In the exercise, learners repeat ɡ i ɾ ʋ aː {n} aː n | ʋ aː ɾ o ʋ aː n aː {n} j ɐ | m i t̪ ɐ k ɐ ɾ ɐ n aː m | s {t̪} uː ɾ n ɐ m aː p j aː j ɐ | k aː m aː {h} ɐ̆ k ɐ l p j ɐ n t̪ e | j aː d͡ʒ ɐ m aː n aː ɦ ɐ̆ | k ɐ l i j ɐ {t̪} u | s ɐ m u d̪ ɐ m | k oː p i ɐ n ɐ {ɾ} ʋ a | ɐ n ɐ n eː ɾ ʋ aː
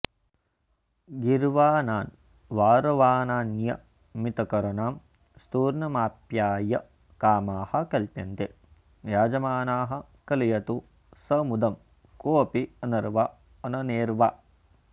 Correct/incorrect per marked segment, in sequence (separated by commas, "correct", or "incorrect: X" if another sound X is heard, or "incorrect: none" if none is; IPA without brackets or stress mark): correct, correct, correct, correct, correct, correct